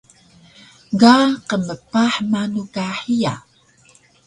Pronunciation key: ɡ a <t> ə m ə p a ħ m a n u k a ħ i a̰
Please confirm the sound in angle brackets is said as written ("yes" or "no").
no